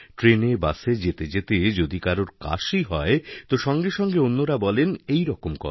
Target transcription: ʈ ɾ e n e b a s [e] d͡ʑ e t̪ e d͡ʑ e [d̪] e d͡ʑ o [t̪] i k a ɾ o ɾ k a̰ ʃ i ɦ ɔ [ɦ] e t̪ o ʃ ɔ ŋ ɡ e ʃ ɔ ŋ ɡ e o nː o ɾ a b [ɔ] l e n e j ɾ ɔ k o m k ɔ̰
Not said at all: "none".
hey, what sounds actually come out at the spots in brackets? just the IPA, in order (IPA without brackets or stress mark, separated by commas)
e, t̪, d̪, none, ɔ